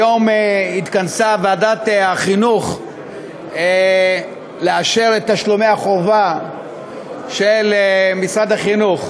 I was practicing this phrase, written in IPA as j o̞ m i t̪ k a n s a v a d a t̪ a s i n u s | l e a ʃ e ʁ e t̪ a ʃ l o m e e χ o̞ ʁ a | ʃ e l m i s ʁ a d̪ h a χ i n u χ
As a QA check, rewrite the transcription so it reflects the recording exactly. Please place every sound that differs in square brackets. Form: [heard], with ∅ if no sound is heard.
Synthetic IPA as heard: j o̞ m i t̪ k a n s a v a d a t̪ a [χ] i n u [χ] | l e a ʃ e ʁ e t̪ a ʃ l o m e [a] χ o̞ [v] a | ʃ e l m i s ʁ a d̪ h a χ i n u χ